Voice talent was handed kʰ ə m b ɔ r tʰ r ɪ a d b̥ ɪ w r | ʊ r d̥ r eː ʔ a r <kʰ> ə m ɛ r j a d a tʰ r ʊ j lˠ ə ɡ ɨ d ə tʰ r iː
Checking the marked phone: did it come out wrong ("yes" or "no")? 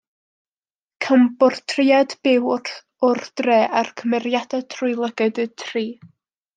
no